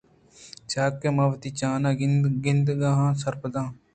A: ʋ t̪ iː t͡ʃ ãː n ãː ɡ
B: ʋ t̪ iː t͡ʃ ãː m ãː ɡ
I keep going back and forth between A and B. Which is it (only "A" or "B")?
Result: A